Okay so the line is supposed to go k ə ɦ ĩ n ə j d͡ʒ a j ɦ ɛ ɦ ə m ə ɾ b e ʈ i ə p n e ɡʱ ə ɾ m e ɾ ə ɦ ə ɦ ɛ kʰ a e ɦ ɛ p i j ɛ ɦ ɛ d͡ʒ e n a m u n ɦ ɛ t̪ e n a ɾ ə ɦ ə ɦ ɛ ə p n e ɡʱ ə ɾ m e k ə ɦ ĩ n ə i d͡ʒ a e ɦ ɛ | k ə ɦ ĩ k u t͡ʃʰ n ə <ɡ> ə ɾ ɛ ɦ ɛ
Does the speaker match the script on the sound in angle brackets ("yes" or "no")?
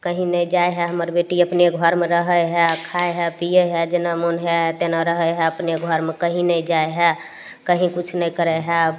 no